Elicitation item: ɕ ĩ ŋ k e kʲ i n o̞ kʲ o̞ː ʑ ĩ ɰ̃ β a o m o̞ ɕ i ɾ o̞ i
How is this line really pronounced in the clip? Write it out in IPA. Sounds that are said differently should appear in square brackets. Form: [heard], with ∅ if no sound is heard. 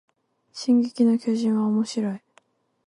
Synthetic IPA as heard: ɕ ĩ ŋ [ɡ] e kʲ i n o̞ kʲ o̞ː ʑ ĩ ɰ̃ β a o m o̞ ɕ i ɾ o̞ i